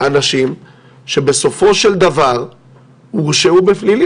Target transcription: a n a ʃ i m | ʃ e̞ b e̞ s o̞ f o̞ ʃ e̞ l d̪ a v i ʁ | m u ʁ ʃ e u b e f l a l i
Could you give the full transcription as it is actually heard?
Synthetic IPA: a n a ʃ i m | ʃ e̞ b e̞ s o̞ f o̞ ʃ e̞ l d̪ a v a ʁ | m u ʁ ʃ e u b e f l i l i